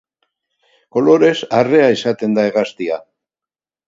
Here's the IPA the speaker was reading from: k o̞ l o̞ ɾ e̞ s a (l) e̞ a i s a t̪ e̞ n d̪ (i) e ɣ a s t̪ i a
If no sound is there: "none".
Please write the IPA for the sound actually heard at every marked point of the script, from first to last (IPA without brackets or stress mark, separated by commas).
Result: r, a